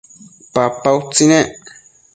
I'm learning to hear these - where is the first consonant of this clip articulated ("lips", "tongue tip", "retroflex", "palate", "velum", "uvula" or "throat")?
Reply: lips